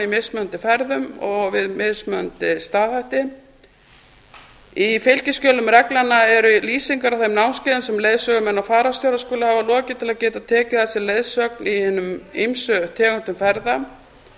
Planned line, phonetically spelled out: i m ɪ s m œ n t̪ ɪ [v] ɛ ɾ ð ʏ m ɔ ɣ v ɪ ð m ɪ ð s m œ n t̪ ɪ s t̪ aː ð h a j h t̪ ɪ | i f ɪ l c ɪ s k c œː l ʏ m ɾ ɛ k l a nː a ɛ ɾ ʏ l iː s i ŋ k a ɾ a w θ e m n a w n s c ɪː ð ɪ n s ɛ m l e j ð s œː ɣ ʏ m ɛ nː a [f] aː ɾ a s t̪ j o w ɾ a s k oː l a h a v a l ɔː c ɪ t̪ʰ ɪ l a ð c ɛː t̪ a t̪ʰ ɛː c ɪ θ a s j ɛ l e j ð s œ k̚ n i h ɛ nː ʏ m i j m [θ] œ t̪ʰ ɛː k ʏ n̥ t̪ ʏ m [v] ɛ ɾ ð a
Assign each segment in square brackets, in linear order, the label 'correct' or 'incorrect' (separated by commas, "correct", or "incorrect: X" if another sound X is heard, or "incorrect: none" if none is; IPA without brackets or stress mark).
incorrect: f, correct, incorrect: s, incorrect: f